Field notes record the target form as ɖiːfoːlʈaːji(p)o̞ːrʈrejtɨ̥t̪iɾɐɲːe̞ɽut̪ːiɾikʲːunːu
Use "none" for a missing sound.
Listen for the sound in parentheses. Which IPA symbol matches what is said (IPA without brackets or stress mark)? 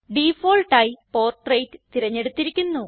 p